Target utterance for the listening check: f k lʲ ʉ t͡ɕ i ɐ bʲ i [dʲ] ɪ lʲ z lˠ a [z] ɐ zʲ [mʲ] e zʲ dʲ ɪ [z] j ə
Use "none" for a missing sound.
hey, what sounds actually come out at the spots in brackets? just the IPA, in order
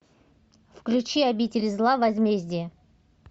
tʲ, v, mʲ, none

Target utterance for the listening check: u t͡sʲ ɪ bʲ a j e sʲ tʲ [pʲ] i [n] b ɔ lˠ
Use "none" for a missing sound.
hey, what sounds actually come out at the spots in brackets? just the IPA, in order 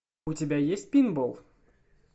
pʲ, n

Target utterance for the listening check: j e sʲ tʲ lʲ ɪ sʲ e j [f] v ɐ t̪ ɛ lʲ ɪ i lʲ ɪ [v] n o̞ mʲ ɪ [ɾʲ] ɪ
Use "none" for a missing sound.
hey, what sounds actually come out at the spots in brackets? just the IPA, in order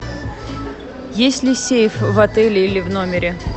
f, v, ɾʲ

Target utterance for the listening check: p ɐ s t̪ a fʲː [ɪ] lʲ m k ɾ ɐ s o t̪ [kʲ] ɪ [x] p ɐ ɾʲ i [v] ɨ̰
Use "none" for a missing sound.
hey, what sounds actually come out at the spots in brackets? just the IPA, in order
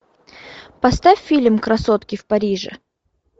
i, kʲ, f, ʐ

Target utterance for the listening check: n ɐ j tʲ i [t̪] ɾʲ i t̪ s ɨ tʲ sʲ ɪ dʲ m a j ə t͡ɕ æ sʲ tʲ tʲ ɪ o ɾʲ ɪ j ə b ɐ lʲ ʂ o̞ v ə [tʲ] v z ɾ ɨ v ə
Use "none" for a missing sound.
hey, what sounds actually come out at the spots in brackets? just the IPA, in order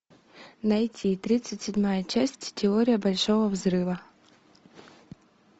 t̪, none

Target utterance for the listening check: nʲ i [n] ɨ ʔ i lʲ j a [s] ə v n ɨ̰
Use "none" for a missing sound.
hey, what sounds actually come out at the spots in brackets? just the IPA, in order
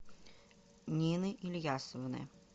n, s

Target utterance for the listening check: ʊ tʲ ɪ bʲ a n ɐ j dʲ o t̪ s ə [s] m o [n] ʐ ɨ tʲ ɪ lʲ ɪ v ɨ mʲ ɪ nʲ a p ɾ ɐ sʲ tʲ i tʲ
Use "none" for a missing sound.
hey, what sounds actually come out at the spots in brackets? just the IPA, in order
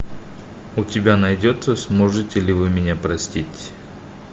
s, none

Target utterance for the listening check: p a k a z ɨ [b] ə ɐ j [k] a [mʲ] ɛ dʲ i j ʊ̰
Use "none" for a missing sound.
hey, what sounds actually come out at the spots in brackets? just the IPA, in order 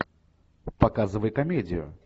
v, k, mʲ

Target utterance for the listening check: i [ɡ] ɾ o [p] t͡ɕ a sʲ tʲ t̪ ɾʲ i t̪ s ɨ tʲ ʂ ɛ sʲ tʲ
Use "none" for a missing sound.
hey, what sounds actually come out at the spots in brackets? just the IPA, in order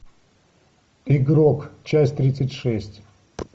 ɡ, k

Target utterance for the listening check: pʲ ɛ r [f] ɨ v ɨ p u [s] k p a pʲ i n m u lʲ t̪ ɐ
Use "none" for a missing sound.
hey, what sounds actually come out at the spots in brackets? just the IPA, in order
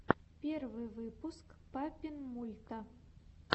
v, s

